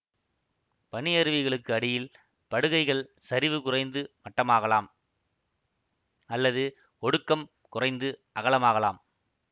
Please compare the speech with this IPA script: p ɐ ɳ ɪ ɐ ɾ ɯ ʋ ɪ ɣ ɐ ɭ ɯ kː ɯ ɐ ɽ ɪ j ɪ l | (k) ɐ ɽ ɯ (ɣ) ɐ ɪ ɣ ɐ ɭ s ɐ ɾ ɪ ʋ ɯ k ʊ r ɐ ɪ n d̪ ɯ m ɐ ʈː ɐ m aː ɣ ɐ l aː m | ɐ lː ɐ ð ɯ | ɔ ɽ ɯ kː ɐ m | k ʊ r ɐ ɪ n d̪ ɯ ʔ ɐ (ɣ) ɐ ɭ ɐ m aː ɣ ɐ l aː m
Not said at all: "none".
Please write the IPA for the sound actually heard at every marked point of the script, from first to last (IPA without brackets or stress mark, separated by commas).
p, ɣ, ɣ